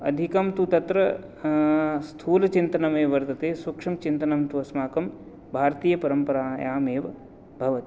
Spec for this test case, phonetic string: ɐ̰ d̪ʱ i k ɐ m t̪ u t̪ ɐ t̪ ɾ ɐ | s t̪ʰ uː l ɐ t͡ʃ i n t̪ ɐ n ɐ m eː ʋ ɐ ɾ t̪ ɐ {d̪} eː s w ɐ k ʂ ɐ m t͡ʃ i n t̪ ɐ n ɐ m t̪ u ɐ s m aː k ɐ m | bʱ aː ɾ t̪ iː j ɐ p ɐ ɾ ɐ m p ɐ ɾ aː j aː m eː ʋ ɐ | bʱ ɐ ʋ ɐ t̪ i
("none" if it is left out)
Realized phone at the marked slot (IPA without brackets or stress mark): t̪